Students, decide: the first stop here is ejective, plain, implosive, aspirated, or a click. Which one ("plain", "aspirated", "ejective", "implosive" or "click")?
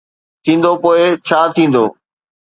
aspirated